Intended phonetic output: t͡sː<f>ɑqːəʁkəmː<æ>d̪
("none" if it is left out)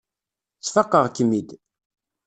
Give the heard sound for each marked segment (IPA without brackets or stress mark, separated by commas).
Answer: f, i